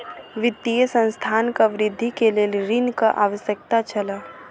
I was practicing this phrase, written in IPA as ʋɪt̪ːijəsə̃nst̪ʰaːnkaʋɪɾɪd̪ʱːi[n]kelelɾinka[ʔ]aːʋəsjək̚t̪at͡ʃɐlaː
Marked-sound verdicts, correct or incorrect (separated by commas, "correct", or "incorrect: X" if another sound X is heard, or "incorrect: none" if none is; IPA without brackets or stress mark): incorrect: none, correct